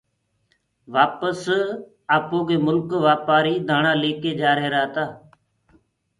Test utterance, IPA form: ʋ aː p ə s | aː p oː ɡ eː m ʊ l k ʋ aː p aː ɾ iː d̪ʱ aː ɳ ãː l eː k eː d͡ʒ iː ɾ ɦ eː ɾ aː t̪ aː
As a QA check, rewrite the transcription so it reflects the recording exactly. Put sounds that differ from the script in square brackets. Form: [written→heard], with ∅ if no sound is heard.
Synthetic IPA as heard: ʋ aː p ə s | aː p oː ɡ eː m ʊ l k ʋ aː p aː ɾ iː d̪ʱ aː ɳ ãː l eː k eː d͡ʒ [iː→aː] ɾ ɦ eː ɾ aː t̪ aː